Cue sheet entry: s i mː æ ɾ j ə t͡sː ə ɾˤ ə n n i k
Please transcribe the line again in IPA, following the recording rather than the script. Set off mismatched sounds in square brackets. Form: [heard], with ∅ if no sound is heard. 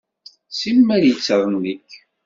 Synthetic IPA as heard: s i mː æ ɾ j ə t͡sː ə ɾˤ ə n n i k